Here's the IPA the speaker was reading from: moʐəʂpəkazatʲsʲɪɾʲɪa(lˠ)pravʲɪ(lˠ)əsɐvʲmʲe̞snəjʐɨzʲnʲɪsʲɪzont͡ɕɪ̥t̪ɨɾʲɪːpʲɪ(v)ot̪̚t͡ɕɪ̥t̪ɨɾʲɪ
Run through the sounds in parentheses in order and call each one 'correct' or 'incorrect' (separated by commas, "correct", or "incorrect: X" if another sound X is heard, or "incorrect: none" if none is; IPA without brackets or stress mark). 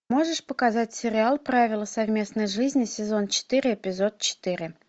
correct, correct, incorrect: z